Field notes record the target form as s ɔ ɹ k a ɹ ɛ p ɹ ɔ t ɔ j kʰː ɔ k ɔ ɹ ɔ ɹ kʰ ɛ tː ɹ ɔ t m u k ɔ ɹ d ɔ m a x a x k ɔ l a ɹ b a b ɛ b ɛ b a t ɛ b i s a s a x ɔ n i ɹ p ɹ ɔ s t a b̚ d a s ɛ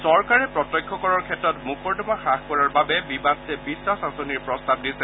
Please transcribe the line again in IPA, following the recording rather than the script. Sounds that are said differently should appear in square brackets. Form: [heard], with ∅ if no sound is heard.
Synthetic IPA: s ɔ ɹ k a ɹ ɛ p ɹ ɔ t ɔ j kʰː ɔ k ɔ ɹ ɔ ɹ kʰ ɛ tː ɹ ɔ t m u k ɔ ɹ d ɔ m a x a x k ɔ [ɹ] a ɹ b a b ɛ b [i] b a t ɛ b i s a s a [s] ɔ n i ɹ p ɹ ɔ s t a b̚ d [i] s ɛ